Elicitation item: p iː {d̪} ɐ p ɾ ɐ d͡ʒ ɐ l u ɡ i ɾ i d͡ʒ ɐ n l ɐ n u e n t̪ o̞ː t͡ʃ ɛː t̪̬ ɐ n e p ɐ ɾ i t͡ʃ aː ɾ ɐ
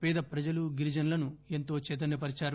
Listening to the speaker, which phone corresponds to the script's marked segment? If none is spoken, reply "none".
d̪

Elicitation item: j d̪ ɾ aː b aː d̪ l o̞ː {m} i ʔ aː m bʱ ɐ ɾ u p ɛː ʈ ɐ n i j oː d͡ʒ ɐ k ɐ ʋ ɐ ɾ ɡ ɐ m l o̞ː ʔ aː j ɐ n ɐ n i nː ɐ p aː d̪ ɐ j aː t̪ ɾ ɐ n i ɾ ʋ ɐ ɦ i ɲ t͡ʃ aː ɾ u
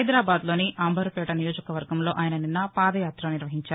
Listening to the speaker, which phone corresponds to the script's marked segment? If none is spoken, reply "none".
n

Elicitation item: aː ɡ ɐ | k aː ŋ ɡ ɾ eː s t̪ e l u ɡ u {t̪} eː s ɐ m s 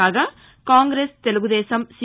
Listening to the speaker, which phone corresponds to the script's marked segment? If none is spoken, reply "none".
d̪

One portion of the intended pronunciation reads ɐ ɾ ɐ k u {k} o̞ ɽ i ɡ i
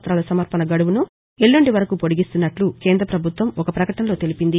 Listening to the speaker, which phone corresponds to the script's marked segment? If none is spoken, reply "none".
p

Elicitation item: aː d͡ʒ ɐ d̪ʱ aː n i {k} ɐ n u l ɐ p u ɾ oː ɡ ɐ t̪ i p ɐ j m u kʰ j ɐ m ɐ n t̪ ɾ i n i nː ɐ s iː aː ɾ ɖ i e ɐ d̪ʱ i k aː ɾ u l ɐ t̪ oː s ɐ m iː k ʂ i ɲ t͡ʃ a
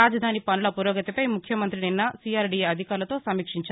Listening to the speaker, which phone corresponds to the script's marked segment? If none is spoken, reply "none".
p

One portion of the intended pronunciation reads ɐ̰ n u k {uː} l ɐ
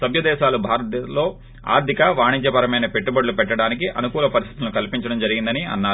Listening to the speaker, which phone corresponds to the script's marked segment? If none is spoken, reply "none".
uː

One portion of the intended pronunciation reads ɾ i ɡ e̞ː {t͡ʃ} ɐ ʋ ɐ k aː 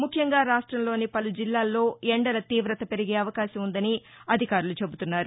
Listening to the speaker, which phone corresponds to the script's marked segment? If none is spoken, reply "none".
none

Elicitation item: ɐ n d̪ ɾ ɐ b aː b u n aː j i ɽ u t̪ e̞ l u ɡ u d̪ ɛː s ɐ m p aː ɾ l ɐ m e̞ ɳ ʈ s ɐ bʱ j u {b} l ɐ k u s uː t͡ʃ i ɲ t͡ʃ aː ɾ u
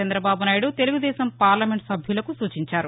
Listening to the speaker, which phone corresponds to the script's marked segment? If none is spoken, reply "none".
none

